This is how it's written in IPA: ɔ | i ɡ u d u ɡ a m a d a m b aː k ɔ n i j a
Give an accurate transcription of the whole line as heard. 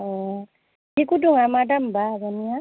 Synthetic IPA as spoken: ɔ | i k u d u ŋ a m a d a m b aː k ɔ n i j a